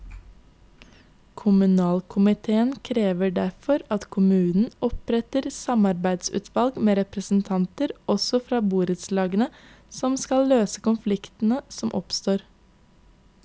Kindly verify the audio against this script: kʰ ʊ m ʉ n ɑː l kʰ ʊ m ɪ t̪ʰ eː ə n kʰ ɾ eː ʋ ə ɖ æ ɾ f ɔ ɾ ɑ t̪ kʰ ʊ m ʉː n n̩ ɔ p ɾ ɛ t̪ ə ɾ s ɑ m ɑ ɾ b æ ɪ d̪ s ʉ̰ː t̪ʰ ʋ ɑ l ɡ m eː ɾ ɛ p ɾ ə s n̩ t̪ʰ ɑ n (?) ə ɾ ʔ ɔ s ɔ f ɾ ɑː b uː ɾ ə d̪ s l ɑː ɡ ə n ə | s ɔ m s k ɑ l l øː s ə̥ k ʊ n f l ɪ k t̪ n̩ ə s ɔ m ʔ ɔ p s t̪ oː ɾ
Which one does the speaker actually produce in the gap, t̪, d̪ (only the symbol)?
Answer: t̪